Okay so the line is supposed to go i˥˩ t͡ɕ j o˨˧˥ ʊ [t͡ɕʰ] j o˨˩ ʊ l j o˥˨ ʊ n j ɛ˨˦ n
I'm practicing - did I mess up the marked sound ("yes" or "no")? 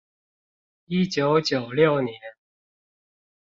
yes